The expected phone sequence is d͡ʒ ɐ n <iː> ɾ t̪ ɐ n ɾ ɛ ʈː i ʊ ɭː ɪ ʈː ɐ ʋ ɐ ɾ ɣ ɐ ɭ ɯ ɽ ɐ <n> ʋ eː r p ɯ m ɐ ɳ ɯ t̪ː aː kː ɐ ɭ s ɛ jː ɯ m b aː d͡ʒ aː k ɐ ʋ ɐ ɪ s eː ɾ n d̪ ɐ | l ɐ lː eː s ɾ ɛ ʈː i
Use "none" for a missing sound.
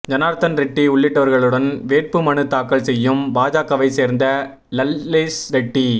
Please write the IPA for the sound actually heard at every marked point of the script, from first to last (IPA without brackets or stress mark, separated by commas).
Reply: aː, n